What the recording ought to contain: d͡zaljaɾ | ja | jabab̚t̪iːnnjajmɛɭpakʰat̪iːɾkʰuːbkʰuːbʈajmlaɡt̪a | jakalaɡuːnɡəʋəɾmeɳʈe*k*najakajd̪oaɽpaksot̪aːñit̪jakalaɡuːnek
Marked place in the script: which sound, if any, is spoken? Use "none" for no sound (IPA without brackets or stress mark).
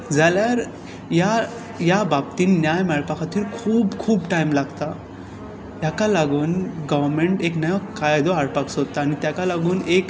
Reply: k